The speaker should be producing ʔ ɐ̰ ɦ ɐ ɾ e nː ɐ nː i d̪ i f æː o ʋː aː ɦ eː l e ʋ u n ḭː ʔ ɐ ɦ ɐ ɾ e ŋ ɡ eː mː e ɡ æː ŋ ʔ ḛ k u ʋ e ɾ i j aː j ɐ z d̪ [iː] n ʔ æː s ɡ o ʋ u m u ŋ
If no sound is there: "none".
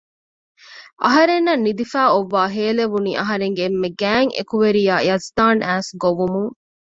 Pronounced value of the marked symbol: aː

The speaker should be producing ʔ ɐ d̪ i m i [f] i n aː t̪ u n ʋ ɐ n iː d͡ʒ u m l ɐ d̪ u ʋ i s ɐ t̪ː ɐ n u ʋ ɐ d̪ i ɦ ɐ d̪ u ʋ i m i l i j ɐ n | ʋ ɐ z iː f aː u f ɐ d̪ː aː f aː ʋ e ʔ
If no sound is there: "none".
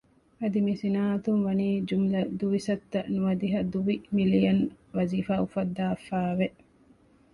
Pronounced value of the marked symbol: s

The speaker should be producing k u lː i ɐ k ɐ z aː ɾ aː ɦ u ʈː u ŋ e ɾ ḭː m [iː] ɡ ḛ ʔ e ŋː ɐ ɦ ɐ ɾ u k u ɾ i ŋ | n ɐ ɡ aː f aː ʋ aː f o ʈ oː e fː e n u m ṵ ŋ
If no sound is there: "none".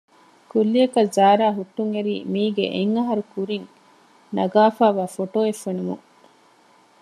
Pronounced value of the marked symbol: iː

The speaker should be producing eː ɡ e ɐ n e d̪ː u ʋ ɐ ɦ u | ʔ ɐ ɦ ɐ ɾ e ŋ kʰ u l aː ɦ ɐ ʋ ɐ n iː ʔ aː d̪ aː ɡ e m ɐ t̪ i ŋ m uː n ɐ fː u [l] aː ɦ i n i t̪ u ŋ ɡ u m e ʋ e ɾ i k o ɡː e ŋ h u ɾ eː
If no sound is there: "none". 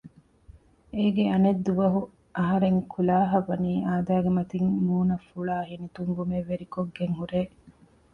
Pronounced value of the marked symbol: ɭ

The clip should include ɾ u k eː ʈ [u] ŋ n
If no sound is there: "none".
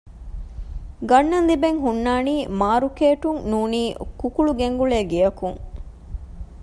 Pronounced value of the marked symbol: u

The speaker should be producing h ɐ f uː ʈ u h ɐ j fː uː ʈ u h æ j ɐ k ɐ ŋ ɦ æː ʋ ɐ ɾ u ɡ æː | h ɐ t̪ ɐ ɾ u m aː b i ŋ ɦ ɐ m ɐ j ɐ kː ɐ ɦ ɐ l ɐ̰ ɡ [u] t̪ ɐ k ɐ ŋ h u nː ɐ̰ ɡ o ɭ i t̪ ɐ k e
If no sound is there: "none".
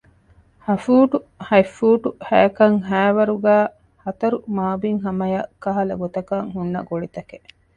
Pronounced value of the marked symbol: o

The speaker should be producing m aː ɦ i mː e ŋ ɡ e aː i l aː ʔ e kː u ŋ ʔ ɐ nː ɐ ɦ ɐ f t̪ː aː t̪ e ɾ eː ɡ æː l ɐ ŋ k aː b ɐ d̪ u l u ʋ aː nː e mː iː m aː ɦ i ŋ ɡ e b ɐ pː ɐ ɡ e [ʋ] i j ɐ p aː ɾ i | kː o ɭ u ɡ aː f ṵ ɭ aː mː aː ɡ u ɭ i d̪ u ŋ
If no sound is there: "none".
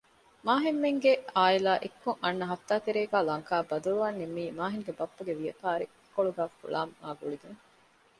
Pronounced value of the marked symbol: ʋ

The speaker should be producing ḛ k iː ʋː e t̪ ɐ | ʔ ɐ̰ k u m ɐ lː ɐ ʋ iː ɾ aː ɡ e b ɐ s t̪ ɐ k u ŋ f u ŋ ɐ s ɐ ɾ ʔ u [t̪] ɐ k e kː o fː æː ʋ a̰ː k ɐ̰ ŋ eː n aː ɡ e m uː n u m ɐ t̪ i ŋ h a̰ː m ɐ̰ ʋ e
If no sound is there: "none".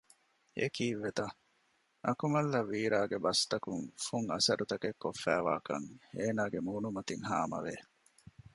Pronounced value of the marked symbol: t̪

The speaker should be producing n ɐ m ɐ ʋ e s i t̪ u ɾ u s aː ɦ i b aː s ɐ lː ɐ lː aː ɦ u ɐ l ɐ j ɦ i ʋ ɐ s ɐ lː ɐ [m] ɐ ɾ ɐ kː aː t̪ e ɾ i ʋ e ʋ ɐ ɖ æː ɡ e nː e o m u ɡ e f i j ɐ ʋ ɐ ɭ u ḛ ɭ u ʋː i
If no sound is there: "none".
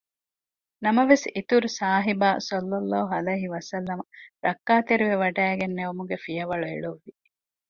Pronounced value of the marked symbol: m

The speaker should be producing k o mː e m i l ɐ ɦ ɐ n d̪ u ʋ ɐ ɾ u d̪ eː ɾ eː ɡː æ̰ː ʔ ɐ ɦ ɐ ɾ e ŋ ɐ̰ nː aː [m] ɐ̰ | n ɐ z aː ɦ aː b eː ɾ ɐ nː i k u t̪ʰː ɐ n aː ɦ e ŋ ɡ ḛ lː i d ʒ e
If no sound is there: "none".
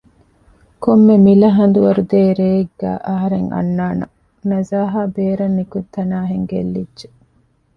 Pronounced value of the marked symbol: n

